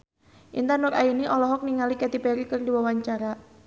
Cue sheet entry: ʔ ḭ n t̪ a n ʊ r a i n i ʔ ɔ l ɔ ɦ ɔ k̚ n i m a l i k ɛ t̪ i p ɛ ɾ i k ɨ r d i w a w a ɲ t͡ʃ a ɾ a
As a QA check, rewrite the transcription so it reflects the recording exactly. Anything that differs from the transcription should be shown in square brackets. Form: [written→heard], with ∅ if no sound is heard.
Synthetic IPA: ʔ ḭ n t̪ a n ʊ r a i n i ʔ ɔ l ɔ ɦ ɔ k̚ n i [m→ŋ] a l i k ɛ t̪ i p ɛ ɾ i k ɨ r d i w a w a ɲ t͡ʃ a ɾ a